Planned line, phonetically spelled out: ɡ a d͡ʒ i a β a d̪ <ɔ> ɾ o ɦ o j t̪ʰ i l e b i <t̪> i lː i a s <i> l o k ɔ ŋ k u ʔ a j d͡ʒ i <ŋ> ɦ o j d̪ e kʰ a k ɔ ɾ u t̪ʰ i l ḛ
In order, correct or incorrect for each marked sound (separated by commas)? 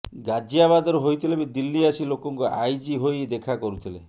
correct, incorrect, correct, incorrect